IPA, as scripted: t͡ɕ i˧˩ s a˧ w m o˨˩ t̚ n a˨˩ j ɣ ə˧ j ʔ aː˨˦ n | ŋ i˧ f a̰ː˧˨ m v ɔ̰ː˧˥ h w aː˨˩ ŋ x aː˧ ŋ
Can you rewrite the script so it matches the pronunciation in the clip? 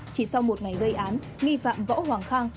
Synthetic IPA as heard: t͡ɕ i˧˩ s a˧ w m o˨˩ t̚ ŋ a˨˩ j ɣ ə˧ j ʔ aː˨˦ n | ŋ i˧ f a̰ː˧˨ m v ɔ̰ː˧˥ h w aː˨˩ ŋ x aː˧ ŋ